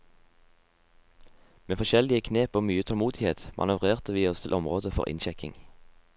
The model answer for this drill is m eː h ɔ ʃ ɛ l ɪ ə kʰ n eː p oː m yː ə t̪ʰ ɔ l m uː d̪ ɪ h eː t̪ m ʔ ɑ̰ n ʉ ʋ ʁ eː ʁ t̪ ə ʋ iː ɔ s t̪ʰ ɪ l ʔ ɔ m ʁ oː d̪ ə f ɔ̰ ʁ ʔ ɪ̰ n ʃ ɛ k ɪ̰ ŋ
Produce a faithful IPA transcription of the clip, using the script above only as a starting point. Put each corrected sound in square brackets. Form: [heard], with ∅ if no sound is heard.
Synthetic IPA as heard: m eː [f] ɔ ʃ ɛ l ɪ ə kʰ n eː p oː m yː ə t̪ʰ ɔ l m uː d̪ ɪ h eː t̪ m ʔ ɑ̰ n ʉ ʋ ʁ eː ʁ t̪ ə ʋ iː ɔ s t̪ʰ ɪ l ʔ ɔ m ʁ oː d̪ ə f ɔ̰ ʁ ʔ ɪ̰ n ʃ ɛ k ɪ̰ ŋ